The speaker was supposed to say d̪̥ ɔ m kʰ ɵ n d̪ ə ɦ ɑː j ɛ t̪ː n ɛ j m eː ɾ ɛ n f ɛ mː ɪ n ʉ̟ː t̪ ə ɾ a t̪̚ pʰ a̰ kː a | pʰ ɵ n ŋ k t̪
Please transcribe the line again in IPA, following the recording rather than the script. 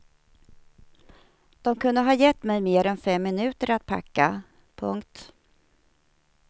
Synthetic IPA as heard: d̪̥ ɔ m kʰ ɵ n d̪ ə ɦ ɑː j ɛ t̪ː m ɛ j m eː ɾ ɛ n f ɛ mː ɪ n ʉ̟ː t̪ ə ɾ a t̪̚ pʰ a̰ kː a | pʰ ɵ ŋ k t̪